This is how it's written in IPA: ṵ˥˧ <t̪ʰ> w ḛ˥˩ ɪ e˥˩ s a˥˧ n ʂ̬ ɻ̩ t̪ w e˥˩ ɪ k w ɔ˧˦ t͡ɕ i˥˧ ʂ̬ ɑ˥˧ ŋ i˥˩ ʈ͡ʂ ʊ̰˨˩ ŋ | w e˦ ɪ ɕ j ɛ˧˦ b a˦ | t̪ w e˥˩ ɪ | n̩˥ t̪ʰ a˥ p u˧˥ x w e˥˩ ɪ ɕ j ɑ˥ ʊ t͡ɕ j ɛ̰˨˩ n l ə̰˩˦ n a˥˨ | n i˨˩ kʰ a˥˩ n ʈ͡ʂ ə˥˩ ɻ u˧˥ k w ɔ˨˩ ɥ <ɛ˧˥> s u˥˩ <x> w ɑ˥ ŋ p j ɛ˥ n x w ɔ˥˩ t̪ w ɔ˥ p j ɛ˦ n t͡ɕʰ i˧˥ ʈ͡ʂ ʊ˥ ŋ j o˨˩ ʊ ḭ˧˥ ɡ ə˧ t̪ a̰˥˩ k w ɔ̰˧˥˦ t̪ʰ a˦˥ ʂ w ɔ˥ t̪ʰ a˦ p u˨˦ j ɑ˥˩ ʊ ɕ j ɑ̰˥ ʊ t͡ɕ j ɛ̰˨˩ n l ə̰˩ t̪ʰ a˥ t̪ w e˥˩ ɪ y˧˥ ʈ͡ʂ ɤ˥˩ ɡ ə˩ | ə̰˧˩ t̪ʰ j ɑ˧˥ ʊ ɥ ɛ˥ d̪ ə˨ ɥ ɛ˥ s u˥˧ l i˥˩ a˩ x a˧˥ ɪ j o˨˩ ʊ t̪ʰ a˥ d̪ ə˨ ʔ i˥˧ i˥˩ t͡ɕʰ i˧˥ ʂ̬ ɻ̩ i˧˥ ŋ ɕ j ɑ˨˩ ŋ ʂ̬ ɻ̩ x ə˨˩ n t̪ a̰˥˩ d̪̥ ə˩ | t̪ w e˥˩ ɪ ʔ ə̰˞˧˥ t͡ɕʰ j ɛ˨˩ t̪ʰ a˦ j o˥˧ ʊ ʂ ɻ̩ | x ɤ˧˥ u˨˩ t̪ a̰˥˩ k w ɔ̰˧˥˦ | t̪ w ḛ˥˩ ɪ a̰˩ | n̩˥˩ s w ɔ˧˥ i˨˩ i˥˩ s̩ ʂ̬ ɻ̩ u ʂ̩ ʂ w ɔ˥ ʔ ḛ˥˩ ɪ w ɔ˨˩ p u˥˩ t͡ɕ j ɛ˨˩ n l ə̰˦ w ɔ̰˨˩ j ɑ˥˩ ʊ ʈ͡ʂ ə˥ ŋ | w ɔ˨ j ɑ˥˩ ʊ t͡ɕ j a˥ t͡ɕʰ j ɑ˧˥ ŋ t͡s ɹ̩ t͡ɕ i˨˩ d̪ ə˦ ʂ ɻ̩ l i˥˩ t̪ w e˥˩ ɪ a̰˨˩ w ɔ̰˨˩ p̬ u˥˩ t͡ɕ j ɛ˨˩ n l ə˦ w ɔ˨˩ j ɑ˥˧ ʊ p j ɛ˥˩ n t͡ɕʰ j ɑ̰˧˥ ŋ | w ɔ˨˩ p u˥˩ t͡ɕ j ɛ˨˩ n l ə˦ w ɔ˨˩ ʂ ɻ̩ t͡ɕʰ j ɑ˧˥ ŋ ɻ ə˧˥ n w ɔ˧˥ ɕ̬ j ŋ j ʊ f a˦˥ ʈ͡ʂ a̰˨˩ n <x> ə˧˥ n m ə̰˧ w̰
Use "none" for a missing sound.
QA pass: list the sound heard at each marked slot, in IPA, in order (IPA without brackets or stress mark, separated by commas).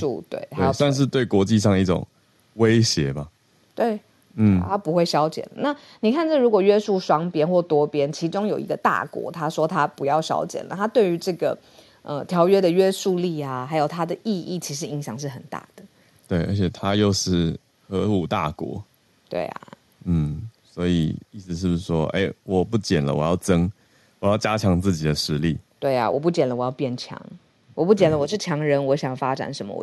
t̪, ɛ˥, ʂ, ʂ